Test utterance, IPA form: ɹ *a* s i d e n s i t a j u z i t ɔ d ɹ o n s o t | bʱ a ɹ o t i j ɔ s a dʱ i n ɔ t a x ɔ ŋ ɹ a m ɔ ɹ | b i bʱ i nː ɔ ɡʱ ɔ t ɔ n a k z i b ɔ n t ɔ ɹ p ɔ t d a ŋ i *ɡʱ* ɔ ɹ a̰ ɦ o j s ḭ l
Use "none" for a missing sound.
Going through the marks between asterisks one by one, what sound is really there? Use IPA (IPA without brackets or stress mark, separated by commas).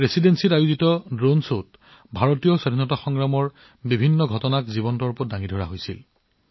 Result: e, dʱ